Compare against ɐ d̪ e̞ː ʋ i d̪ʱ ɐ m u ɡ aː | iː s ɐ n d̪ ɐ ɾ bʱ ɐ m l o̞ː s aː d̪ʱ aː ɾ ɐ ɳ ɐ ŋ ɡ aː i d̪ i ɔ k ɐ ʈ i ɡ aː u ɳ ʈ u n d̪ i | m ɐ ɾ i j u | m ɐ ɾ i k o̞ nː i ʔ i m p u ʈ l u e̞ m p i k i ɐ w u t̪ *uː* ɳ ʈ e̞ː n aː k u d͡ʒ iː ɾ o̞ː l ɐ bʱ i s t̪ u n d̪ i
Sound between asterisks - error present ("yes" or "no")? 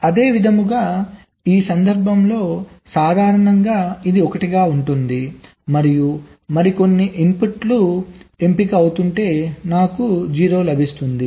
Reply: yes